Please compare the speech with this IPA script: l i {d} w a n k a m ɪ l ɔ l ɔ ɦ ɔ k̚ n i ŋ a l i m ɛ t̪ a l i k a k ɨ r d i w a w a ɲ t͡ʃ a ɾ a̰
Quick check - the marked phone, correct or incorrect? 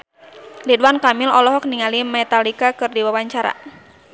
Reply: correct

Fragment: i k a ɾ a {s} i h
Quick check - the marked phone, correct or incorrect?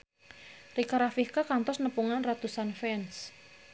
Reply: incorrect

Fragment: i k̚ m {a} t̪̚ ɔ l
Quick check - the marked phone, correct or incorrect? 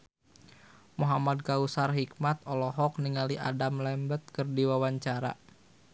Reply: correct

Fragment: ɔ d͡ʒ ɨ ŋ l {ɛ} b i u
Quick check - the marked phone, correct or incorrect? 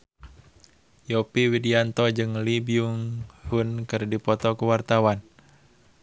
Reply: incorrect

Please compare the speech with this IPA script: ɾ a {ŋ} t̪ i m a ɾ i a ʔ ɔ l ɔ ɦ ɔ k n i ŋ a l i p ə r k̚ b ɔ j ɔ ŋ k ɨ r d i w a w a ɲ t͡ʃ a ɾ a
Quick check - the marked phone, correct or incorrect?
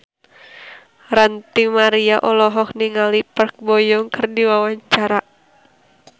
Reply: incorrect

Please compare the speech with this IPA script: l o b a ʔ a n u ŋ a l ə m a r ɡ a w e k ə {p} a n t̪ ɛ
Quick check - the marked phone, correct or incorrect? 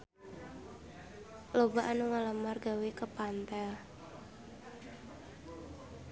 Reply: correct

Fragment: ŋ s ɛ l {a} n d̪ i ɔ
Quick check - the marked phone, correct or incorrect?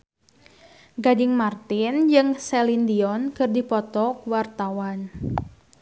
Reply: incorrect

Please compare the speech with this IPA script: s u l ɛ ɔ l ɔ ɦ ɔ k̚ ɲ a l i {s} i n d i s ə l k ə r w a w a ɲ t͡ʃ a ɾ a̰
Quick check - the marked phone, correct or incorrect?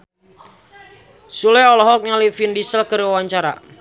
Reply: incorrect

